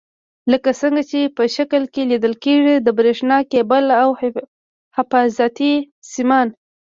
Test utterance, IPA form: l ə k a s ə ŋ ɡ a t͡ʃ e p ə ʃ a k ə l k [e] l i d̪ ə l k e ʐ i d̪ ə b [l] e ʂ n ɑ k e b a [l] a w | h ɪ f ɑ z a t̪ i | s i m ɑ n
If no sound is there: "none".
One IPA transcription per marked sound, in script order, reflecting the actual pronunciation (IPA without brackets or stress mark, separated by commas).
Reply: e, ɾ, l